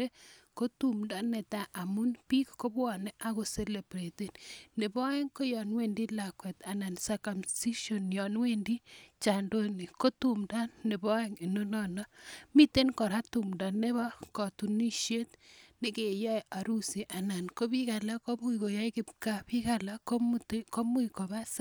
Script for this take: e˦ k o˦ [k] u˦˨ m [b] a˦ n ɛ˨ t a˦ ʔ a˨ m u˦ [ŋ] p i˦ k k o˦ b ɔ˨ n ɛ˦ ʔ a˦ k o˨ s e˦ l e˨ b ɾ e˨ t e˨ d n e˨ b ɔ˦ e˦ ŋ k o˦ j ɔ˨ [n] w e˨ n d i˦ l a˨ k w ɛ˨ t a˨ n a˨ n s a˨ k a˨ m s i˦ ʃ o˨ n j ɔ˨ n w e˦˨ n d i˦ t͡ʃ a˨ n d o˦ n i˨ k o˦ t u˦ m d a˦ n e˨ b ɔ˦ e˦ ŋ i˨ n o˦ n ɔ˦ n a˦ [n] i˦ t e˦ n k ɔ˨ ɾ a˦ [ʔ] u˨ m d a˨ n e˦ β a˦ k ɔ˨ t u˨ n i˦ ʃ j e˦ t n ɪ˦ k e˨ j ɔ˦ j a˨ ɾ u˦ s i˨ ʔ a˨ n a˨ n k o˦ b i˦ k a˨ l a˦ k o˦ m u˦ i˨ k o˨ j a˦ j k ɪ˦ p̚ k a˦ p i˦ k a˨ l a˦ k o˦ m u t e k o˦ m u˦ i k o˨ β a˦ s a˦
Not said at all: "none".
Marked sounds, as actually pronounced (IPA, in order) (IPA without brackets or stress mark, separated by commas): t, d, n, n, m, t